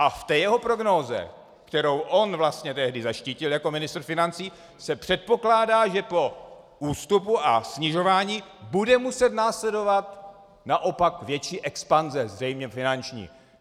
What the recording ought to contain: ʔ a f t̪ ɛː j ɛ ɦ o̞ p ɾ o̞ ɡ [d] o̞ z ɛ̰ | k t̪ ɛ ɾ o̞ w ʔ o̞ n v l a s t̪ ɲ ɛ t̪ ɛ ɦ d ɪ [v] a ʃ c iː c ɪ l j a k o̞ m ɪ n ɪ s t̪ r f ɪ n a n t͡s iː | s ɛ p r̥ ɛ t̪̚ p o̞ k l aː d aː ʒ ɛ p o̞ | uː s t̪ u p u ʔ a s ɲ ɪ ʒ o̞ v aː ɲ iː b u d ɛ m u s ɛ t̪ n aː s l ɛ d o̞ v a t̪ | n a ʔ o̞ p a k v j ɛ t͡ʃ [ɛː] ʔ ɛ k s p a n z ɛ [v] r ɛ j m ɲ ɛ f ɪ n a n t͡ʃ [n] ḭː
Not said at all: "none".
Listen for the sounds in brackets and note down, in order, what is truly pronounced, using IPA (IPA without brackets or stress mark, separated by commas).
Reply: n, z, iː, z, ɲ